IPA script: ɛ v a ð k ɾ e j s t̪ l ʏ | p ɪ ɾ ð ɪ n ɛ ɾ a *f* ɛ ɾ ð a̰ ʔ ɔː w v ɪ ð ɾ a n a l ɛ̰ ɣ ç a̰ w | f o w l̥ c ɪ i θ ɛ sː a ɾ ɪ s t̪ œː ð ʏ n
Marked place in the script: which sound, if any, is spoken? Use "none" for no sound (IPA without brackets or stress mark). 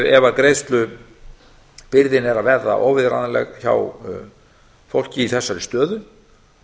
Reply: v